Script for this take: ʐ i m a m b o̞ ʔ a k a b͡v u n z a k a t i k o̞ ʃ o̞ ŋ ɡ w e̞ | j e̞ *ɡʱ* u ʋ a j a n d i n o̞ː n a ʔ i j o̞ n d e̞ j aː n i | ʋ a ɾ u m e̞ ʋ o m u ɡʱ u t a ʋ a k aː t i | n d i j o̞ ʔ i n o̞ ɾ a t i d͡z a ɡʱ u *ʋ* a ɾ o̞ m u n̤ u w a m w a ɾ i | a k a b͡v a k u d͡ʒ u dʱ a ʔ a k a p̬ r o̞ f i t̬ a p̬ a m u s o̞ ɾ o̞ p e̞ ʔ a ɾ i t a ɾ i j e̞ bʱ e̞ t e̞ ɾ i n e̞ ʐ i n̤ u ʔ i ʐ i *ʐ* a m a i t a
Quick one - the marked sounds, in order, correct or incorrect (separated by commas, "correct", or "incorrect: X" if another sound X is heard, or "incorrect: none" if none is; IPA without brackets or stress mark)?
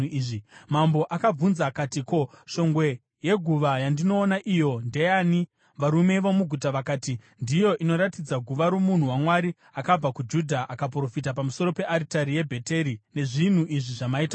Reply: correct, correct, correct